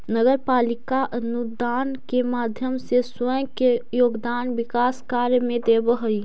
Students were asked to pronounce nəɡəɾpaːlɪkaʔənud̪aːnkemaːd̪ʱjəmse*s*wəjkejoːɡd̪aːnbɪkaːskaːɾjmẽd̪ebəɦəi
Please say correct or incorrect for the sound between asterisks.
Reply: correct